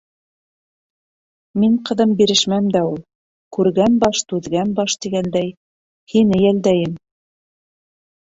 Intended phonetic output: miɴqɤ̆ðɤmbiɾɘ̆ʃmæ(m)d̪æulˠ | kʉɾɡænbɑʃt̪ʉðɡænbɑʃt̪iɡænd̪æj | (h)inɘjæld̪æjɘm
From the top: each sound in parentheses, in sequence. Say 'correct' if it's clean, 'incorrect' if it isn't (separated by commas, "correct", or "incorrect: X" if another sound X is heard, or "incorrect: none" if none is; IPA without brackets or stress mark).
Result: correct, correct